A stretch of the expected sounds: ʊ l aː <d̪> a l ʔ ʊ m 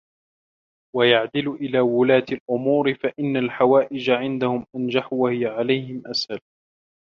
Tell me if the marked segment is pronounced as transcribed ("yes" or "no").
no